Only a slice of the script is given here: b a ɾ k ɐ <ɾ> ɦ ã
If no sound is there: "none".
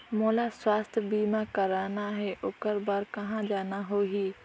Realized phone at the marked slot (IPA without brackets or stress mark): none